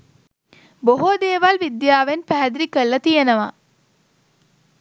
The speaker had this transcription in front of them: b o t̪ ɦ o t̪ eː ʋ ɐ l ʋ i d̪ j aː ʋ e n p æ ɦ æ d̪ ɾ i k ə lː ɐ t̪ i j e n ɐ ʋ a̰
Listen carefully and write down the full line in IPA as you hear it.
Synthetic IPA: b o ɦ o d̪ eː ʋ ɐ l ʋ i d̪ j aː ʋ e n p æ ɦ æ d̪ ɾ i k ə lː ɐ t̪ i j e n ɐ ʋ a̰